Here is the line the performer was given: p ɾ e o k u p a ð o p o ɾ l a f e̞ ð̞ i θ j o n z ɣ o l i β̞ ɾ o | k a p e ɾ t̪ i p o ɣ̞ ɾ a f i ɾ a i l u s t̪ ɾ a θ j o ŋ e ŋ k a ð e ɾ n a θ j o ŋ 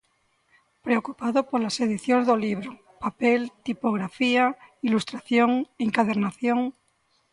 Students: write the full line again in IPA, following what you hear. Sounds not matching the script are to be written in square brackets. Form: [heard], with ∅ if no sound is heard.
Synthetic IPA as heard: p ɾ e o k u p a ð o p o ɾ l a [s] e̞ ð̞ i θ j o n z [ð] o l i β̞ ɾ o | [p] a p e [l] t̪ i p o ɣ̞ ɾ a f i [∅] a i l u s t̪ ɾ a θ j o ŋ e ŋ k a ð e ɾ n a θ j o ŋ